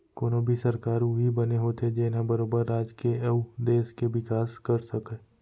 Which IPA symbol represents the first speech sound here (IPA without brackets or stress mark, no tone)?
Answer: k